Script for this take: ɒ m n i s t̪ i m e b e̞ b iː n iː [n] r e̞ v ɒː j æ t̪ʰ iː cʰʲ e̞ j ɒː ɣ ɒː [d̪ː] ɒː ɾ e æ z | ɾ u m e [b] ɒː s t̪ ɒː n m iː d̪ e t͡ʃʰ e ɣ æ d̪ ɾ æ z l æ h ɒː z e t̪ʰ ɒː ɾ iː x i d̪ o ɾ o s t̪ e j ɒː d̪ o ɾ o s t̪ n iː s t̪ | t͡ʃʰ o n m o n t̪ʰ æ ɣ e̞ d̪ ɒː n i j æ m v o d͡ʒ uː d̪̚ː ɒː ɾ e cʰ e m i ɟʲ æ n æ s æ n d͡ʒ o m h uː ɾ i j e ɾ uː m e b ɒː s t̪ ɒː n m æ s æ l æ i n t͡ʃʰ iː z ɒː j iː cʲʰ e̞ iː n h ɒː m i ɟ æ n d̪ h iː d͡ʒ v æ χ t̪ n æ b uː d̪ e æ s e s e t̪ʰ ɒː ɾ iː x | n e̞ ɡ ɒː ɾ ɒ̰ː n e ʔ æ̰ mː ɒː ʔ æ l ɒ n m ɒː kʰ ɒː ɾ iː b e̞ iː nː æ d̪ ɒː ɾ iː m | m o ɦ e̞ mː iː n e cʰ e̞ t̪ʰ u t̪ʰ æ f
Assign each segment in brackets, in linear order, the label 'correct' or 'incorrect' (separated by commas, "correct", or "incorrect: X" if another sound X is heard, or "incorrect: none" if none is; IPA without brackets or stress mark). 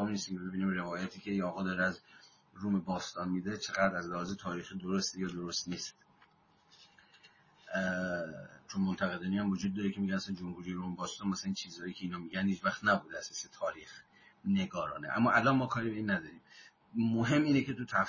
incorrect: m, incorrect: d̪, correct